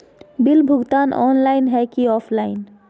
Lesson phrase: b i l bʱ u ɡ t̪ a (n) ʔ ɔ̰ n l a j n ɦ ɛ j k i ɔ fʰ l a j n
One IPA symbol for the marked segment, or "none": n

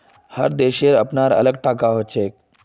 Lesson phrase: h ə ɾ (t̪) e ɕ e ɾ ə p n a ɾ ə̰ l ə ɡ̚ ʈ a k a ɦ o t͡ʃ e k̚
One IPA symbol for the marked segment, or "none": d̪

